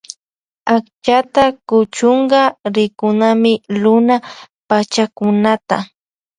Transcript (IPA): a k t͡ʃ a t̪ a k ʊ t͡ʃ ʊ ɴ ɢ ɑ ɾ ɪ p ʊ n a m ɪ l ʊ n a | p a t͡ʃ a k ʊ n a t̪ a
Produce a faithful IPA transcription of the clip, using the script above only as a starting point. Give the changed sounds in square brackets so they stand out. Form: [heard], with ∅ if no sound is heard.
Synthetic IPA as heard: a k t͡ʃ a t̪ a k ʊ t͡ʃ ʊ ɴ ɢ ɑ ɾ ɪ [k] ʊ n a m ɪ l ʊ n a | p a t͡ʃ a k ʊ n a t̪ a